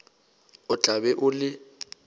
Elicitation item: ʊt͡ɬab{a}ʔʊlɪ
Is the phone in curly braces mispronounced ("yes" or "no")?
yes